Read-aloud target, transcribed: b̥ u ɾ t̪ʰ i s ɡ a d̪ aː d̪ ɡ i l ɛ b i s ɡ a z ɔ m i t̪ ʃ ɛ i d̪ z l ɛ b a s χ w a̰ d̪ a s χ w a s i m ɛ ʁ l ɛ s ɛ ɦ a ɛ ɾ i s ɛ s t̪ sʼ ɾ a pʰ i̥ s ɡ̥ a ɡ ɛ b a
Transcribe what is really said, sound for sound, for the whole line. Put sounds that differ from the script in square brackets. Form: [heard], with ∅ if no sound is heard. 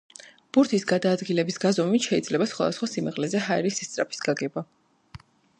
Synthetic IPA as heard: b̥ u ɾ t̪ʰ i s ɡ a d̪ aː d̪ ɡ i l ɛ b i s ɡ a z ɔ m i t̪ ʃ ɛ i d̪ z l ɛ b a s χ w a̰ d̪ a s χ w a s i m ɛ ʁ l ɛ [z] ɛ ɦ a ɛ ɾ i s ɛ s t̪ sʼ ɾ a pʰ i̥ s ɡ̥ a ɡ ɛ b a